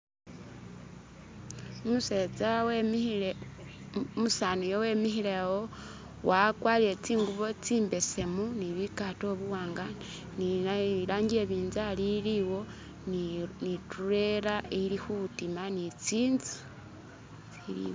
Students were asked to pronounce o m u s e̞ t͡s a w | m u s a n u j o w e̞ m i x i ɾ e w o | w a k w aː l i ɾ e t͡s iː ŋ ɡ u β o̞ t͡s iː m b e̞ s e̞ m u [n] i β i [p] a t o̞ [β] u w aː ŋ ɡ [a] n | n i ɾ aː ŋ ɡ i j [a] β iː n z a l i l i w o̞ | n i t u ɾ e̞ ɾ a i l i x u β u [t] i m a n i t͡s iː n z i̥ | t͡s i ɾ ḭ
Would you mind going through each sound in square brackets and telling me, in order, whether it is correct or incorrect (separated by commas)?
correct, incorrect, correct, correct, incorrect, correct